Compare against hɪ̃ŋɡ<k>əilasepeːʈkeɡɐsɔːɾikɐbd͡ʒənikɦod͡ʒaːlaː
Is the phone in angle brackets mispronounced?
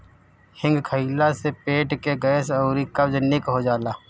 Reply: yes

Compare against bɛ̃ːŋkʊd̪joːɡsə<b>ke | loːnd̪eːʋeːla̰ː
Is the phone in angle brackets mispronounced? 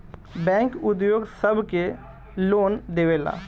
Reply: no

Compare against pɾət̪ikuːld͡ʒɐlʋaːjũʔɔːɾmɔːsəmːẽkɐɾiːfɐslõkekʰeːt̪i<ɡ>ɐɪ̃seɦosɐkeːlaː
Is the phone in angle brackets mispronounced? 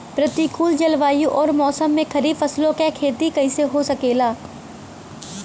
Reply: yes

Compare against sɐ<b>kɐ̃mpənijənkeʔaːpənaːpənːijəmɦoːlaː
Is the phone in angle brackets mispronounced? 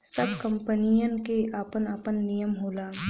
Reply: no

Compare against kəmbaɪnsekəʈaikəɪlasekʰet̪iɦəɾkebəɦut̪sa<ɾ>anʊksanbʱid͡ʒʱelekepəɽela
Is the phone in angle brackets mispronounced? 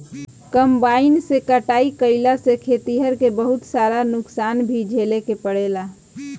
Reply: no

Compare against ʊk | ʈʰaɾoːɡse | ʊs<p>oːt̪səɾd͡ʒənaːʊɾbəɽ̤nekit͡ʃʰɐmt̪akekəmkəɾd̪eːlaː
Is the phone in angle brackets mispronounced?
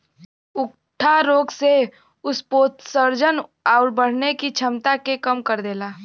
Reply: no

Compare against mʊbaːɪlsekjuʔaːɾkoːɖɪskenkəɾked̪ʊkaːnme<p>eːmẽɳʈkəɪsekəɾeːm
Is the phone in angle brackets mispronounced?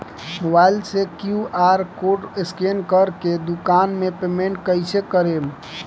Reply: no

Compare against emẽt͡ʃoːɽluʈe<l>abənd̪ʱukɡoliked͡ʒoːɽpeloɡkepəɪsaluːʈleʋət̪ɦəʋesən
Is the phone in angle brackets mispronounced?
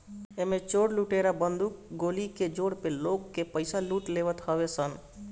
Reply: yes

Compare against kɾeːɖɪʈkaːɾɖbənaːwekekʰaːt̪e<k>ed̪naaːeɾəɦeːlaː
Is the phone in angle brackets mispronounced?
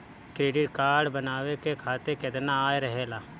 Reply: no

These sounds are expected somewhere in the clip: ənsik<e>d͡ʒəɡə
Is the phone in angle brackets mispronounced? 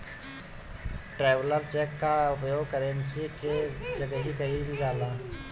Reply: no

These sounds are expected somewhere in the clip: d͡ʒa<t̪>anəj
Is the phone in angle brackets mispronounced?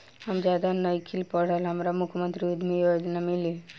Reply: yes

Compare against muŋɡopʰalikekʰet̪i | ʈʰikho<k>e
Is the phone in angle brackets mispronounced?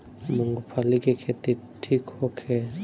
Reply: yes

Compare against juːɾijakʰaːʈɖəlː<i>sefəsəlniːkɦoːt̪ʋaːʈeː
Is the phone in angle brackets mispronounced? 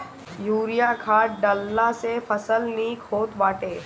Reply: yes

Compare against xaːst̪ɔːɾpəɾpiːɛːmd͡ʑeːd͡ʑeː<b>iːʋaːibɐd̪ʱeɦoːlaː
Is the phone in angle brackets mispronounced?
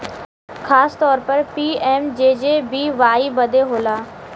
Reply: no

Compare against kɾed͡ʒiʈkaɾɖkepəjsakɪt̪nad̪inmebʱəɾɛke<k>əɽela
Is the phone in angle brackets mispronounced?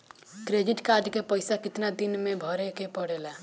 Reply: yes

